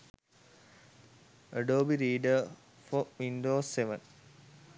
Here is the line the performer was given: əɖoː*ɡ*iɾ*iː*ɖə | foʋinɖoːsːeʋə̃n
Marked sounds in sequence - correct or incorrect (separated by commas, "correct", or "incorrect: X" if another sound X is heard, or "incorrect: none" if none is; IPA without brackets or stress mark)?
incorrect: b, correct